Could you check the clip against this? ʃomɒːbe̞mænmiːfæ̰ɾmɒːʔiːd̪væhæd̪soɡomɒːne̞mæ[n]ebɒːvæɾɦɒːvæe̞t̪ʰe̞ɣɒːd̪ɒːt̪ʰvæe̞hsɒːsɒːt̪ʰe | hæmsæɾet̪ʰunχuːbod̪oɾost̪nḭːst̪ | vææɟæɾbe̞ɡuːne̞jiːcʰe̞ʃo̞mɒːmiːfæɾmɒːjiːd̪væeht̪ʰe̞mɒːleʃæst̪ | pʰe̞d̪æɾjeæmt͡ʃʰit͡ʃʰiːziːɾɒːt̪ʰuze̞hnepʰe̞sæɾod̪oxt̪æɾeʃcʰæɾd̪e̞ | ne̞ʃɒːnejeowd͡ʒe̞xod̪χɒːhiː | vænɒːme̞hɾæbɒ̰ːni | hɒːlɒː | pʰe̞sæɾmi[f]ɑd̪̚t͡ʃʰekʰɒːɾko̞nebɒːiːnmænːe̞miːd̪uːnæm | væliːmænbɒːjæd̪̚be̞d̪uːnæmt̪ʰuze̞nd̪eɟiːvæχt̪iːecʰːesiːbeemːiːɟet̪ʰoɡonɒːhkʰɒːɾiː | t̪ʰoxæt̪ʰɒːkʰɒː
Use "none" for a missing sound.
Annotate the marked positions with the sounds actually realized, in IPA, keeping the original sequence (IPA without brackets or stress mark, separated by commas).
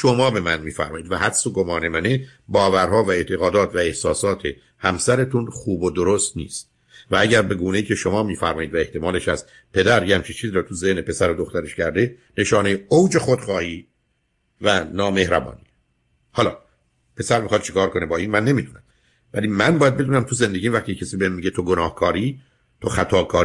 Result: n, x